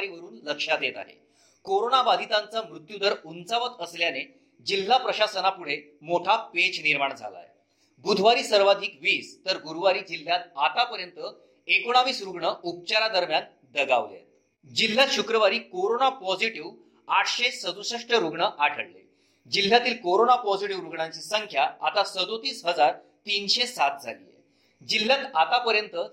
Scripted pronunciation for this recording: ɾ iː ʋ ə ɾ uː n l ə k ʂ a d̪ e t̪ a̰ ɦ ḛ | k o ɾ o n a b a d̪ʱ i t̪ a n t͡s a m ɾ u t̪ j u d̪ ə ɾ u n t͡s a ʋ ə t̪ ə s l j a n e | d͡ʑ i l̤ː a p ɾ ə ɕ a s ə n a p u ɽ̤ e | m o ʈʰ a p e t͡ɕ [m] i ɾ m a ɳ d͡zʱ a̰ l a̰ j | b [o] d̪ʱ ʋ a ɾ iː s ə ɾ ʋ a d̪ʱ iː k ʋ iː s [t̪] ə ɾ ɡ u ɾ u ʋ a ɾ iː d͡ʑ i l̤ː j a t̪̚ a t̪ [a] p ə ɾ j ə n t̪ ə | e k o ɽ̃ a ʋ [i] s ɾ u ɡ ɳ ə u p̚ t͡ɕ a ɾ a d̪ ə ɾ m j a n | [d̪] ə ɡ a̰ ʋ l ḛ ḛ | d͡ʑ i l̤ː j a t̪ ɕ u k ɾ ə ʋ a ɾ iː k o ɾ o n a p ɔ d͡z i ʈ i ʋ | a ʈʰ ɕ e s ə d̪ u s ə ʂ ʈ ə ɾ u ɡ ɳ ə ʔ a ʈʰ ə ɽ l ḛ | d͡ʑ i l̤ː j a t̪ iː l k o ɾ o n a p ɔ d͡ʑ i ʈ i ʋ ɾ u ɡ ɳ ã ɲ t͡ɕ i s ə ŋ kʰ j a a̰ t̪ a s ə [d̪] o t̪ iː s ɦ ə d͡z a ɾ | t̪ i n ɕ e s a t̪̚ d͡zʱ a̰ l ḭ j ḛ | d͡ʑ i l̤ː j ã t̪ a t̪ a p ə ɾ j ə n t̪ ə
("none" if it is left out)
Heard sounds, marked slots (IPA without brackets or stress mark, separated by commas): n, u, t̪, a, iː, d̪, d̪